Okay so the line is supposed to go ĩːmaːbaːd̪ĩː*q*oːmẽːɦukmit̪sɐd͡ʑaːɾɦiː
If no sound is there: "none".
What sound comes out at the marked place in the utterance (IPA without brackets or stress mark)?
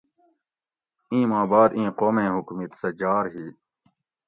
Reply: q